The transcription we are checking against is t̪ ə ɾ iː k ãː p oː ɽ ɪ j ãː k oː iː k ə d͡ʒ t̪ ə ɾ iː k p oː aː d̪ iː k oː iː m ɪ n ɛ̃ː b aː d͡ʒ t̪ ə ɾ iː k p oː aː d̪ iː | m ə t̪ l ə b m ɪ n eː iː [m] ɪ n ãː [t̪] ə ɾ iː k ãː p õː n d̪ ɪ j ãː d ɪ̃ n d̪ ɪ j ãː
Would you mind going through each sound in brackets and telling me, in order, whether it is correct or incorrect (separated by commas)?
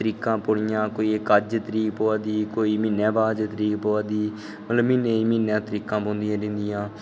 correct, correct